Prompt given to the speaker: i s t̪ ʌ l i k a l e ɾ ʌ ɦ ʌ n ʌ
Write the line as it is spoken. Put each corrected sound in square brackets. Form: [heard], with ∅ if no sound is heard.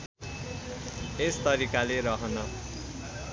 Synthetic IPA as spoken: [e] s t̪ ʌ [ɾ] i k a l e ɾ ʌ ɦ ʌ n ʌ